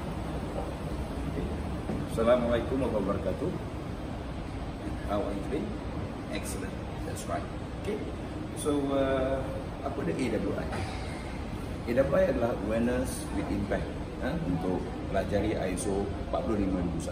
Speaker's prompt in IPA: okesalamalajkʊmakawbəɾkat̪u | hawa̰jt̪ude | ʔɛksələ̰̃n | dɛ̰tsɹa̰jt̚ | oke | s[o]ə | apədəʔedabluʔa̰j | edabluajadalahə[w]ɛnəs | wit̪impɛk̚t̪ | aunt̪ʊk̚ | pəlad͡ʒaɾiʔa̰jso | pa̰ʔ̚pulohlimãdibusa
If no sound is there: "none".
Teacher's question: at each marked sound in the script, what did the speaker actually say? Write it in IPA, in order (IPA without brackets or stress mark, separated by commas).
o, w